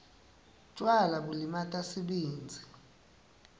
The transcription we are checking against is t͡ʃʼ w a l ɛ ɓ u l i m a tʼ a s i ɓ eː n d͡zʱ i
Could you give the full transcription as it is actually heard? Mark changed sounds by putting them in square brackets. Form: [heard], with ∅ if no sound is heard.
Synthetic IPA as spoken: t͡ʃʼ w a l [a] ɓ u l i m a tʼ a s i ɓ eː n d͡zʱ i